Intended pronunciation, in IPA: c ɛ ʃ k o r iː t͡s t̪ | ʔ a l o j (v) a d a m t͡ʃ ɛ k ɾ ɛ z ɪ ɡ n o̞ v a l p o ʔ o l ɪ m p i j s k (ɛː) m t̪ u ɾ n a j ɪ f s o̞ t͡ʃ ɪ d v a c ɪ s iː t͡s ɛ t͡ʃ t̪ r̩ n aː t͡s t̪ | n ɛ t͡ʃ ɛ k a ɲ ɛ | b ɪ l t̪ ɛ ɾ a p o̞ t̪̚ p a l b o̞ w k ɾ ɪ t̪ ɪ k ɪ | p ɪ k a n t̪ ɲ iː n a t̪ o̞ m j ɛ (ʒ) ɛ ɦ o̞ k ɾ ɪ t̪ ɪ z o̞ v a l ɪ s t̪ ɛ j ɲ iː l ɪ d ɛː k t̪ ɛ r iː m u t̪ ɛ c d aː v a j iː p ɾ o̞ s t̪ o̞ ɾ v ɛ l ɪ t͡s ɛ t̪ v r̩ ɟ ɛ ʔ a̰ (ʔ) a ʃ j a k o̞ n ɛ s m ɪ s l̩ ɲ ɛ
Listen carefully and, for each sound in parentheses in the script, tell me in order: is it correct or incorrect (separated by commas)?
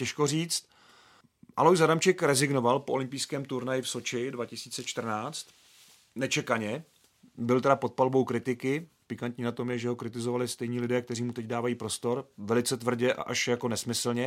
incorrect, correct, correct, correct